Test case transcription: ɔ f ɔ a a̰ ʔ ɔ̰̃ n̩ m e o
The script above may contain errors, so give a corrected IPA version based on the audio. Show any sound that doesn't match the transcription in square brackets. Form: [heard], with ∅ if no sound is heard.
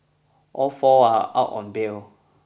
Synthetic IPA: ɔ f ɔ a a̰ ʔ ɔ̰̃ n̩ [b] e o